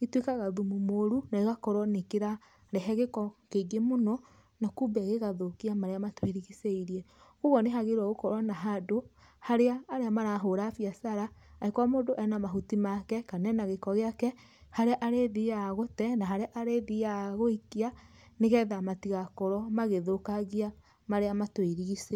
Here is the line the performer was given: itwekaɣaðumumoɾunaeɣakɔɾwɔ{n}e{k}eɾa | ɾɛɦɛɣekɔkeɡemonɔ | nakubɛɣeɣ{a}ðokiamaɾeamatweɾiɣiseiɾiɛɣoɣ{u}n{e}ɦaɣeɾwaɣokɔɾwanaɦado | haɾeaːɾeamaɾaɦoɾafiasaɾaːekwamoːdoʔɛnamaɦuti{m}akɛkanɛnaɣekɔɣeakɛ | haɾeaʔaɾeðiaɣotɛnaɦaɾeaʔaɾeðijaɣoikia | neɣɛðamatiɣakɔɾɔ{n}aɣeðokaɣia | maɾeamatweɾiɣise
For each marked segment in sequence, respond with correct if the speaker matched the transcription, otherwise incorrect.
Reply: correct, correct, correct, incorrect, correct, correct, incorrect

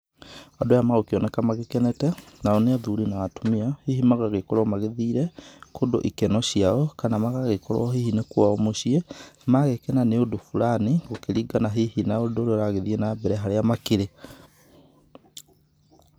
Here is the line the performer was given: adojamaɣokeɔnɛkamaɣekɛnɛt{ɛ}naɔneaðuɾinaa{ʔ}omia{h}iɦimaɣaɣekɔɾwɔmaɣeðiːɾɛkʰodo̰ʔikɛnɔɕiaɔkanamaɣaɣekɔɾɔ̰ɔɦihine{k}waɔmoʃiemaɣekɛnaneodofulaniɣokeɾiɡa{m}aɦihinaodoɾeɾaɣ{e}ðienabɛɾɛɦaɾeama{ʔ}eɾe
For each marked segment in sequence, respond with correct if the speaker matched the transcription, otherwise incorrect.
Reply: correct, incorrect, correct, correct, incorrect, correct, incorrect

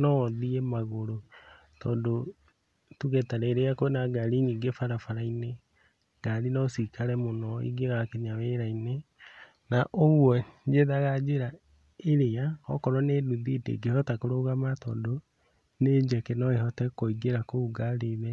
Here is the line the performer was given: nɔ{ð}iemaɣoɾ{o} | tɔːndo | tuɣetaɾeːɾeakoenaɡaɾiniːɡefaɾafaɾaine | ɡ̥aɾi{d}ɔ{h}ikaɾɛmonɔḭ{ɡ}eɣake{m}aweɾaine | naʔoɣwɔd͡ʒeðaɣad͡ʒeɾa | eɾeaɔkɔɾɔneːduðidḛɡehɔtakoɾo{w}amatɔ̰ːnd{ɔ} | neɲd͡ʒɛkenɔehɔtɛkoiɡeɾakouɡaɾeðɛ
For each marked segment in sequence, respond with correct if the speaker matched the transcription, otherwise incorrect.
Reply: correct, correct, incorrect, incorrect, correct, incorrect, incorrect, incorrect

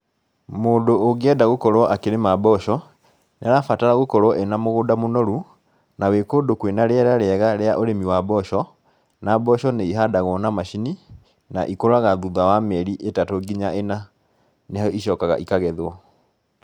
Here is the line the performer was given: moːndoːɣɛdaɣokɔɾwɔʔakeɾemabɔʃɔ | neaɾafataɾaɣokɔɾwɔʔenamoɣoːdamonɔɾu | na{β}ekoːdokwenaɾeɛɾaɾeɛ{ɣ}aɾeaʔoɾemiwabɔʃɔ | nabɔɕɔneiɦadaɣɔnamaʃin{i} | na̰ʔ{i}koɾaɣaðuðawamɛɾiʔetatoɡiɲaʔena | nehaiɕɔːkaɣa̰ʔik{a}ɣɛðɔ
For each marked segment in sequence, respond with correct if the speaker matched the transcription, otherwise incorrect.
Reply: incorrect, correct, correct, correct, correct

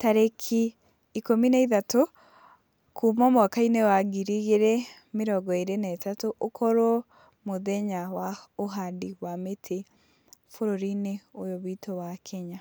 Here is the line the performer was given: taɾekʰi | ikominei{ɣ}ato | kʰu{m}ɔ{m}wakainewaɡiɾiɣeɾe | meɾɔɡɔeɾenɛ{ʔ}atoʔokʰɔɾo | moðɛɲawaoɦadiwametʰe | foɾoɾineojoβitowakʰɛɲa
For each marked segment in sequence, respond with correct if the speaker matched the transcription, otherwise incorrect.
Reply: incorrect, correct, correct, incorrect

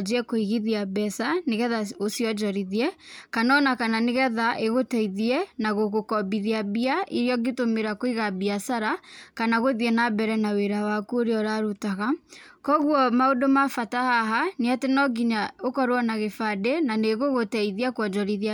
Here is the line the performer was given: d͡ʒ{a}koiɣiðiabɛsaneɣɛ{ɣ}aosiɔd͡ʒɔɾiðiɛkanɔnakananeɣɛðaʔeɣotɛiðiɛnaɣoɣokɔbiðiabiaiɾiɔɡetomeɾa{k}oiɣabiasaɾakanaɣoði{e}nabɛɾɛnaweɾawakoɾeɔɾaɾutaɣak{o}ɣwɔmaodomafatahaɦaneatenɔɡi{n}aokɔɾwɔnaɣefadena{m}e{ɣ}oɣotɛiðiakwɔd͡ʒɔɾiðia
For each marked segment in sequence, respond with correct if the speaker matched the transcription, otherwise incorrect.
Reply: incorrect, incorrect, correct, incorrect, incorrect, incorrect, incorrect, correct

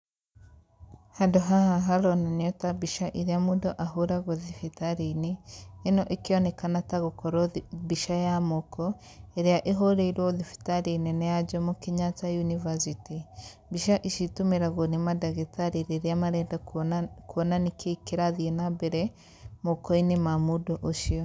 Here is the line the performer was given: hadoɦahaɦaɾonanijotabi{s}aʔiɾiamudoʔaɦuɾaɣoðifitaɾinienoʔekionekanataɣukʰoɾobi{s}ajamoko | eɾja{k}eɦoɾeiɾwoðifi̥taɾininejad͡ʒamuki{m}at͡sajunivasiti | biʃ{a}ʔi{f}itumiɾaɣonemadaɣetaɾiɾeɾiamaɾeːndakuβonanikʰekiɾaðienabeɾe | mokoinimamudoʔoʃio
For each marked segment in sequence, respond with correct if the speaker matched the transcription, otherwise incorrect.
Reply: incorrect, incorrect, incorrect, incorrect, correct, incorrect

